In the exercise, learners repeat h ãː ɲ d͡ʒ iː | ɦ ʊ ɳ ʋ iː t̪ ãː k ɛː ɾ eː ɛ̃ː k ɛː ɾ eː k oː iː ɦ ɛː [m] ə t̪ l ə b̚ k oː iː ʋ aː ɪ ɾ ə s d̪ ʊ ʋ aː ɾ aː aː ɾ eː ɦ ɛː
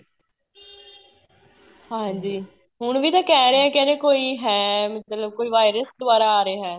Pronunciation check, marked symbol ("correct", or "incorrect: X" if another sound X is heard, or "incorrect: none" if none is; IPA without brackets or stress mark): correct